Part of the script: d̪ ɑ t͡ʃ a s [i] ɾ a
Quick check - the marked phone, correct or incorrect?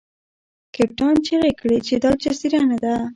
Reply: correct